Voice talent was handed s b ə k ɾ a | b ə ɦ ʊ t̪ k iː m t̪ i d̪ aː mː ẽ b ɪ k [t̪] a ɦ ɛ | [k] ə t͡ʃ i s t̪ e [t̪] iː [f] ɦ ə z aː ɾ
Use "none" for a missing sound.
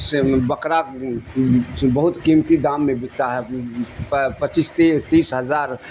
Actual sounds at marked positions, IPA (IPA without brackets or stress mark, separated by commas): t̪, p, t̪, s